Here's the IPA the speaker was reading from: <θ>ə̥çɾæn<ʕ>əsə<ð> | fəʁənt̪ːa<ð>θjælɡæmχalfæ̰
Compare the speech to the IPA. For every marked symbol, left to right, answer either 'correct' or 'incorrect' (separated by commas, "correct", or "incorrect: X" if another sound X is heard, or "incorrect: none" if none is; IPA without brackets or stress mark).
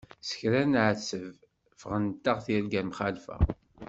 incorrect: s, correct, incorrect: v, incorrect: ʁ